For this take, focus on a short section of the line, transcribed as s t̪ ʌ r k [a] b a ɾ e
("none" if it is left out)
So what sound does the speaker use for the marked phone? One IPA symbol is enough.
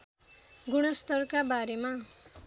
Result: a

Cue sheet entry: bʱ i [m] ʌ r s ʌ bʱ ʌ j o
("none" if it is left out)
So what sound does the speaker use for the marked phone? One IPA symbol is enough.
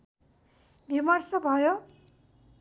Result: m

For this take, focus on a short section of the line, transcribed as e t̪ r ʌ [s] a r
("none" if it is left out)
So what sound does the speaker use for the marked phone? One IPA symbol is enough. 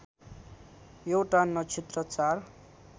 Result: t͡s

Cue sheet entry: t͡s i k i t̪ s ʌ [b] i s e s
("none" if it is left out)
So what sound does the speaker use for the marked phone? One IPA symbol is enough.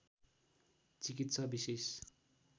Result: b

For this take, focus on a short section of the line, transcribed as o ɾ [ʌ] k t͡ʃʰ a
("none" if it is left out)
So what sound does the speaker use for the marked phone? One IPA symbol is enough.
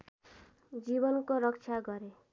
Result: ʌ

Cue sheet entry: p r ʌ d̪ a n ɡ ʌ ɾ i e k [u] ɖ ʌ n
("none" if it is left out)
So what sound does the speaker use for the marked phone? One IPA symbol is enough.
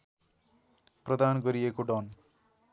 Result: o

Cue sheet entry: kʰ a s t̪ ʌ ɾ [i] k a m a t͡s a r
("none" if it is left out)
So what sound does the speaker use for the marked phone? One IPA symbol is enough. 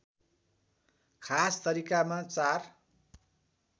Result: i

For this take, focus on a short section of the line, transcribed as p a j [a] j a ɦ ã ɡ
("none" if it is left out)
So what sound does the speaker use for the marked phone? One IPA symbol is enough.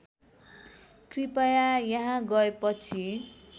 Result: a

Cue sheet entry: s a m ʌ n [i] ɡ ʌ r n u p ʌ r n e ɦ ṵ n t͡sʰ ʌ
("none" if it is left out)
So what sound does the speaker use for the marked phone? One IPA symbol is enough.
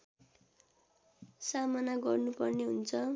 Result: a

